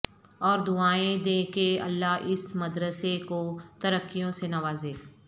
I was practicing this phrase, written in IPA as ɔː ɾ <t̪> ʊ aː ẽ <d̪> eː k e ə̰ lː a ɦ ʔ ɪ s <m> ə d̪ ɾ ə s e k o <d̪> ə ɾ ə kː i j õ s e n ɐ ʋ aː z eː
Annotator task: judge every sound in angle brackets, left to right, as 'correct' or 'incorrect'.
incorrect: d̪, correct, correct, incorrect: t̪

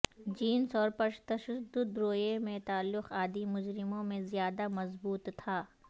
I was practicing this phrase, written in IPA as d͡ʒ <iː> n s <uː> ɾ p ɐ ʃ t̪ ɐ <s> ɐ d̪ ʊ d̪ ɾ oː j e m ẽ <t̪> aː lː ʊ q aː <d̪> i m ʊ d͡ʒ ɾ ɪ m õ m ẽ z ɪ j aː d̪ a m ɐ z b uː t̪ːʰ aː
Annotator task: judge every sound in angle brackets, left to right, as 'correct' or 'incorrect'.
correct, incorrect: ɔː, incorrect: ʃ, correct, correct

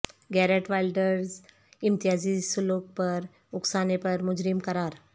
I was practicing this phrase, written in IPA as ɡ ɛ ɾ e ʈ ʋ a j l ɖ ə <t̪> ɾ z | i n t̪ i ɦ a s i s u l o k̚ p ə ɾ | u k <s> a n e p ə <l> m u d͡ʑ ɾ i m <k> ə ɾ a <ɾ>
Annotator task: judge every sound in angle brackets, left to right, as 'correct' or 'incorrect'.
incorrect: none, correct, incorrect: ɾ, correct, correct

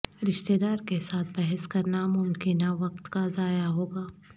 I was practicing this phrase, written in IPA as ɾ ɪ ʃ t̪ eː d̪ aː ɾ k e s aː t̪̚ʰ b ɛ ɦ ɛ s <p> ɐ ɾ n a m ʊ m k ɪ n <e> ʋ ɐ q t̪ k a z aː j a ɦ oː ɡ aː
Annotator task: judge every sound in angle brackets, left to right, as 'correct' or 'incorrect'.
incorrect: k, incorrect: a

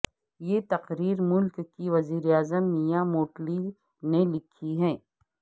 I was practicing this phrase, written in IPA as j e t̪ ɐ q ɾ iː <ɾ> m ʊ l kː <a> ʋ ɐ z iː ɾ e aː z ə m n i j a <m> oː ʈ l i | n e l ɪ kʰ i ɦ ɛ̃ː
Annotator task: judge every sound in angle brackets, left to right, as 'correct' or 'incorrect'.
correct, incorrect: i, correct

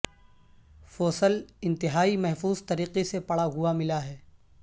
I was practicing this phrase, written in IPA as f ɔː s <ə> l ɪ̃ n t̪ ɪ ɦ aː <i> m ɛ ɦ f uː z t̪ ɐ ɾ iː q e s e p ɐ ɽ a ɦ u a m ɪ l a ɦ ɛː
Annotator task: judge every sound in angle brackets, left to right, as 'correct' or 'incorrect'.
correct, correct

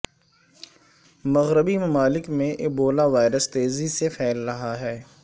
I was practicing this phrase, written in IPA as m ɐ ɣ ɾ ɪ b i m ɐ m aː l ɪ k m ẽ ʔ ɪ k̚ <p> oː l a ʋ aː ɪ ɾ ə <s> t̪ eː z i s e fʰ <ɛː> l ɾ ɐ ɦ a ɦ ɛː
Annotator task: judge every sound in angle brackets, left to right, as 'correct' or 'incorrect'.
incorrect: b, correct, correct

